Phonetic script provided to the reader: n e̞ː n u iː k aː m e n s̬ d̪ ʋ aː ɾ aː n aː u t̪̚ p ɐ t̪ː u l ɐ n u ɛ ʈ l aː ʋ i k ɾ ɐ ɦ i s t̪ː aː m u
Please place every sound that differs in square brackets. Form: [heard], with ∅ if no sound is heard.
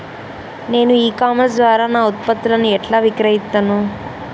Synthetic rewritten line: n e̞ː n u iː k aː m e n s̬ d̪ ʋ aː ɾ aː n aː u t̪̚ p ɐ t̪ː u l ɐ n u ɛ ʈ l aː ʋ i k ɾ ɐ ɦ i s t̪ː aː [n] u

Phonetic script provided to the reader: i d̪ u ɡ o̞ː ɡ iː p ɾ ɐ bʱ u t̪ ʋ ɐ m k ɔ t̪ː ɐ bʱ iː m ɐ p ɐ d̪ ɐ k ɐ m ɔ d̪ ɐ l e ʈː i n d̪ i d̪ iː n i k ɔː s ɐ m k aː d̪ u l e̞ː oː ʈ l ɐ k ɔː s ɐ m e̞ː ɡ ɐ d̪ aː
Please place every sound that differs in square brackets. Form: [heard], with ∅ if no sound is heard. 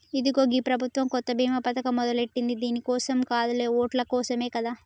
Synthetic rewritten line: i d̪ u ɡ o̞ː ɡ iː p ɾ ɐ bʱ u t̪ ʋ ɐ m k ɔ t̪ː ɐ bʱ iː m ɐ p ɐ [t̪] ɐ k ɐ m ɔ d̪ ɐ l e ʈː i n d̪ i d̪ iː n i k ɔː s ɐ m k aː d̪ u l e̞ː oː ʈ l ɐ k ɔː s ɐ m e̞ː [k] ɐ d̪ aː

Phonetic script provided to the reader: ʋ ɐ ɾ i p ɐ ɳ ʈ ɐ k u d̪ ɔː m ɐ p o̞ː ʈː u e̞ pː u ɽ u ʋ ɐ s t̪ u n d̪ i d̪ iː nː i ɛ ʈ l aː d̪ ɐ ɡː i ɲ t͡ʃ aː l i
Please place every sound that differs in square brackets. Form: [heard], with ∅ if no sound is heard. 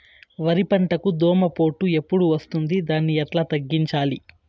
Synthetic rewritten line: ʋ ɐ ɾ i p ɐ ɳ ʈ ɐ k u d̪ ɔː m ɐ p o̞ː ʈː u e̞ pː u ɽ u ʋ ɐ s t̪ u n d̪ i d̪ [aː] nː i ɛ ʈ l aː [t̪] ɐ ɡː i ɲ t͡ʃ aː l i

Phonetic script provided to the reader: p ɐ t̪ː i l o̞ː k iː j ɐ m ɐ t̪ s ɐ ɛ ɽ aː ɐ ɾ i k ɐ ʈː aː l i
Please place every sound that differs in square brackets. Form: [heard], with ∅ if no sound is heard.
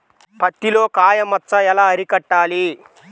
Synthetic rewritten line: p ɐ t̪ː i l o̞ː k [aː] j ɐ m ɐ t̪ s ɐ ɛ [l] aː ɐ ɾ i k ɐ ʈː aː l i

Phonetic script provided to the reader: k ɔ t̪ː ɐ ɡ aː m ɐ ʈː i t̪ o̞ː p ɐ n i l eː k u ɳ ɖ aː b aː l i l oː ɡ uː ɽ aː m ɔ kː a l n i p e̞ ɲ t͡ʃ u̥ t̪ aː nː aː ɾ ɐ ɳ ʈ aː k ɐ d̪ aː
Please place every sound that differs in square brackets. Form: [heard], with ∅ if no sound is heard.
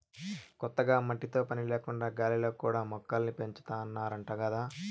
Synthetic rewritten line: k ɔ t̪ː ɐ ɡ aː m ɐ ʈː i t̪ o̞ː p ɐ n i l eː k u ɳ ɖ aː [ɡ] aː l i l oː [k] uː ɽ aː m ɔ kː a l n i p e̞ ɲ t͡ʃ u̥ t̪ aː nː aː ɾ ɐ ɳ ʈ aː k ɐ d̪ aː

